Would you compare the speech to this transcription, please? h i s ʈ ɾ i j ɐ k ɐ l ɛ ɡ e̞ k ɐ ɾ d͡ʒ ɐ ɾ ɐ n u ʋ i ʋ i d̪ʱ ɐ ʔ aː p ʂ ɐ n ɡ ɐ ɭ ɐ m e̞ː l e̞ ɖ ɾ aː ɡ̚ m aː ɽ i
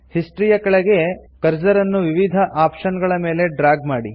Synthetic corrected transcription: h i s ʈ ɾ i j ɐ k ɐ ɭ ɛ ɡ e̞ k ɐ ɾ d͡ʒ ɐ ɾ ɐ nː u ʋ i ʋ i d̪ʱ ɐ ʔ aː p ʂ ɐ n ɡ ɐ ɭ ɐ m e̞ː l e̞ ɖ ɾ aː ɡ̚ m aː ɽ i